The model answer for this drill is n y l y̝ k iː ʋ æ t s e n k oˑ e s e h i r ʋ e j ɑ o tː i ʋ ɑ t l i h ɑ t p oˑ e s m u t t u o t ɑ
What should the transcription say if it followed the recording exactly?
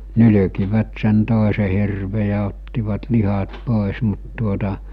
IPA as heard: n y l y̝ k i ʋ æ t s e n t oˑ e s e h i r ʋ e j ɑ o tː i ʋ ɑ t l i h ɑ t p oˑ e s m u t t u o t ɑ